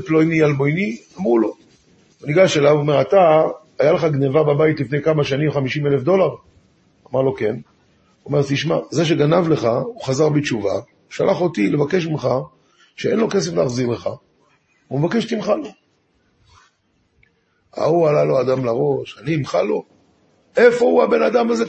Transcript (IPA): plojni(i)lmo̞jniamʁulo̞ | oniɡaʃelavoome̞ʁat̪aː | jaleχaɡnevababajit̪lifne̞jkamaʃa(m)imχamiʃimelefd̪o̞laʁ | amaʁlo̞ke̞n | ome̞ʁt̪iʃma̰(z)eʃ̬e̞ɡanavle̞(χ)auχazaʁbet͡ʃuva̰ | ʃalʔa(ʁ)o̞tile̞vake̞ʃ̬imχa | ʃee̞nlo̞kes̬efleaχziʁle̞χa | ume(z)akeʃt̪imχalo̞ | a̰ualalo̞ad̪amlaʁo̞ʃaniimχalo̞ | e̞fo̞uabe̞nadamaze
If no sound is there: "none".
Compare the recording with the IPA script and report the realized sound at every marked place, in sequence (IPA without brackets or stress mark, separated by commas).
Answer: a, n, z, χ, χ, v